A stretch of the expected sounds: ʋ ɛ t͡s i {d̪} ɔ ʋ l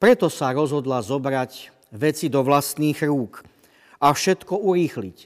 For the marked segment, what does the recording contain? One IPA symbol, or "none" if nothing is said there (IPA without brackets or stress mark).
d̪